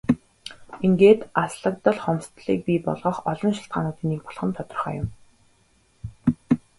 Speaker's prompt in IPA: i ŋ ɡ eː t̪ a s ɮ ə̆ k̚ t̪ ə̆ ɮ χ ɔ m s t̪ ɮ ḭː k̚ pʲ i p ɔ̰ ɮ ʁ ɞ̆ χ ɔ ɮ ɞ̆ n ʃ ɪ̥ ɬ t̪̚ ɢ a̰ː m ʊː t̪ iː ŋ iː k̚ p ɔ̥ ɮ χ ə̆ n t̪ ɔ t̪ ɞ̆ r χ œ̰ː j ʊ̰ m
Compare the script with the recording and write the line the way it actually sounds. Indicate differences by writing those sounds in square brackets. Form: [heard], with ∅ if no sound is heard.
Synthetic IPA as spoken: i ŋ ɡ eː t̪ a s ɮ ə̆ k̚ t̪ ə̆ ɮ χ ɔ m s t̪ ɮ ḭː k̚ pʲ i p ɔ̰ ɮ ʁ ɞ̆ χ ɔ ɮ ɞ̆ n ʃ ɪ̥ ɬ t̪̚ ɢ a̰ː [n] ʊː t̪ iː [n] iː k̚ p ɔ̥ ɮ χ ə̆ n [t̪ʰ] ɔ t̪ ɞ̆ r χ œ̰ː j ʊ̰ m

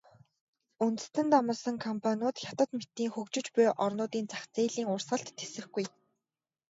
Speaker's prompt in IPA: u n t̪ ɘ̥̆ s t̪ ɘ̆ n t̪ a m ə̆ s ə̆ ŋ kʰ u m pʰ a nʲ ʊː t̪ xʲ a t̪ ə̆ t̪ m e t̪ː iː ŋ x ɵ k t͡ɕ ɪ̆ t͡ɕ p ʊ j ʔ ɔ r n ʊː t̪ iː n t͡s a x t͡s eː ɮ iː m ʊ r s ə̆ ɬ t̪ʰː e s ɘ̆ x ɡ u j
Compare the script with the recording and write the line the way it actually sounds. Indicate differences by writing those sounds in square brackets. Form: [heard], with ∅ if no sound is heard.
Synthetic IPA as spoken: u n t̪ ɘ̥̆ s t̪ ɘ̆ n t̪ a m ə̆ s ə̆ ŋ kʰ [ɔ] m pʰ a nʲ ʊː t̪ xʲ a t̪ ə̆ t̪ m e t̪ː iː ŋ x ɵ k t͡ɕ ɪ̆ t͡ɕ p ʊ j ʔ ɔ r n ʊː t̪ iː n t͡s a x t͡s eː ɮ iː [ŋ] ʊ r s ə̆ ɬ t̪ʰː e s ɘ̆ x ɡ u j

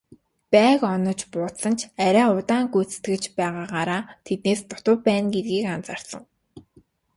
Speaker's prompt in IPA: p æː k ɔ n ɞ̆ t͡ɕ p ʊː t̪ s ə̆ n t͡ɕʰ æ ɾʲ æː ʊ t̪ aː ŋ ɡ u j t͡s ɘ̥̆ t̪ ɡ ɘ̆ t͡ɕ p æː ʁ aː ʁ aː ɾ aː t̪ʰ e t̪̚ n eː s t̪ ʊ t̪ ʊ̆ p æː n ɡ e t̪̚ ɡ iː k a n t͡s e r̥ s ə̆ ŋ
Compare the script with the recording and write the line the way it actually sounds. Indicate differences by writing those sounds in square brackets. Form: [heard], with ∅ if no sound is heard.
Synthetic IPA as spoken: p æː k ɔ n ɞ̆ t͡ɕ p ʊː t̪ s ə̆ n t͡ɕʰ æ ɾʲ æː ʊ t̪ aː ŋ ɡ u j t͡s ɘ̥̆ t̪ ɡ ɘ̆ t͡ɕ p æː ʁ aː ʁ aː ɾ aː t̪ʰ e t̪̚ n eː s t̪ ʊ t̪ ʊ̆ p æː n ɡ e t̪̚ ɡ iː k a n t͡s [a] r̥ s ə̆ ŋ

